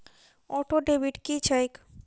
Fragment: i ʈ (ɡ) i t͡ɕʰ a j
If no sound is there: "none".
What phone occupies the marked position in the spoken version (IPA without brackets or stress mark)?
k